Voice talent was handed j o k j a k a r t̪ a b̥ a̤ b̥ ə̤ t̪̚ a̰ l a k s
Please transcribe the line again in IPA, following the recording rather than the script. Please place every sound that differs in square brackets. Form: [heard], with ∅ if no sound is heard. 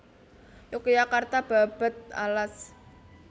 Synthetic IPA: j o k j a k a r t̪ a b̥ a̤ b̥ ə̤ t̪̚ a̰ l a [∅] s